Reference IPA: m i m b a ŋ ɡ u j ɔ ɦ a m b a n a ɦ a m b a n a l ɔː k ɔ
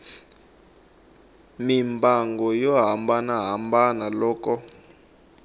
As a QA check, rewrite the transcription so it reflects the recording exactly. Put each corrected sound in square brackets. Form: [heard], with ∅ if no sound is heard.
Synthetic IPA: m i m b a ŋ ɡ [ɔ] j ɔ ɦ a m b a n a ɦ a m b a n a l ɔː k ɔ